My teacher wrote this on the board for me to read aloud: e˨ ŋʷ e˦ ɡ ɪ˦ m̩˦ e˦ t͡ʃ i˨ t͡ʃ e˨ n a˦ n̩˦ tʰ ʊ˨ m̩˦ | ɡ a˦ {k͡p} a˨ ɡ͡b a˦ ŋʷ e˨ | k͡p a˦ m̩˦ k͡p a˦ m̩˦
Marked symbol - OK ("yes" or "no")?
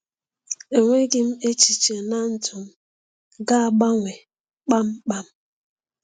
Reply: no